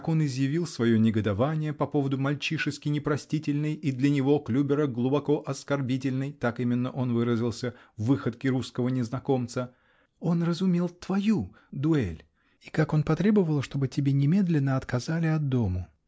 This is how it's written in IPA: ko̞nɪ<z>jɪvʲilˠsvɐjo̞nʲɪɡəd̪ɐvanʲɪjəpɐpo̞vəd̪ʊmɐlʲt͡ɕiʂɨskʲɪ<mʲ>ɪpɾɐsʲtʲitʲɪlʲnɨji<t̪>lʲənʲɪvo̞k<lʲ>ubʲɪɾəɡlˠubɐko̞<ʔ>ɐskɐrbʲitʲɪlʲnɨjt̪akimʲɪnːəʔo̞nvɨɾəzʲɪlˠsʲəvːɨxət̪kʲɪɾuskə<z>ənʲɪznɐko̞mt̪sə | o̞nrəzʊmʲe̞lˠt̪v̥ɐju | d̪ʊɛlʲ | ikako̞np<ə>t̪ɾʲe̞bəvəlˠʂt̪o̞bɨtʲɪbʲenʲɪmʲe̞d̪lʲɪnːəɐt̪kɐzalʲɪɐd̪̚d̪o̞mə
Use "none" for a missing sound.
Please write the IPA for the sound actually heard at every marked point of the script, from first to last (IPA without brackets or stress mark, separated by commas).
z, nʲ, d̪, lʲ, ʔ, v, ɐ